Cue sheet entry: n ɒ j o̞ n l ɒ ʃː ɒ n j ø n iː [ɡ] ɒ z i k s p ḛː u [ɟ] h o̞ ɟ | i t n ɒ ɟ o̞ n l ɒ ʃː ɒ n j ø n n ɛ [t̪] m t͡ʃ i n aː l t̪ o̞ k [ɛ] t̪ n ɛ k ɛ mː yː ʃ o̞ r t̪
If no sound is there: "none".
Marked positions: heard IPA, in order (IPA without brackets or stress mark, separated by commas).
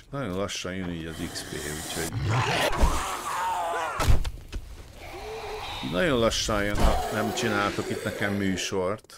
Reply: ɟ, c, none, i